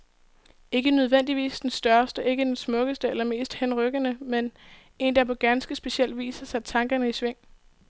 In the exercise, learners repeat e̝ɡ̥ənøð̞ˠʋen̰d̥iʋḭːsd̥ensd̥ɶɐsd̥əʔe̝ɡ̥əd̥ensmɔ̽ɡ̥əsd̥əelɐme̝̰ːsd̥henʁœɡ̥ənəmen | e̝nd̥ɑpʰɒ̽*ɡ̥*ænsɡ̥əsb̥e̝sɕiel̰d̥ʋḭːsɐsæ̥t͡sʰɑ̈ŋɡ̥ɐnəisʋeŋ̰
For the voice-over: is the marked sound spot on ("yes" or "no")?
yes